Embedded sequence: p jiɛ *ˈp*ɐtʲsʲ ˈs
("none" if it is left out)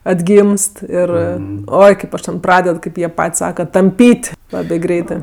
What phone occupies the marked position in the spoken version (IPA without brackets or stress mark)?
p